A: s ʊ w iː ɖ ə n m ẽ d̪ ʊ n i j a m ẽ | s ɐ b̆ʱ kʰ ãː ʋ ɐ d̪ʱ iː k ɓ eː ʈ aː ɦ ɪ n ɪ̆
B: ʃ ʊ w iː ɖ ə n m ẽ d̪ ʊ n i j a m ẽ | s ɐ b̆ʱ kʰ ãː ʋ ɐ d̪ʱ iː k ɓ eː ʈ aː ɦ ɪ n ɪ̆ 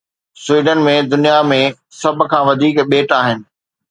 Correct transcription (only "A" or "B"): A